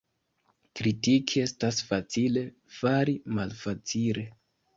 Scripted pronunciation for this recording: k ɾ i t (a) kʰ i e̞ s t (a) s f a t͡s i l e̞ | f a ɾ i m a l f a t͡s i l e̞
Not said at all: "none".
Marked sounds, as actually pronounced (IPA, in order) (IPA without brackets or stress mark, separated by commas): i, a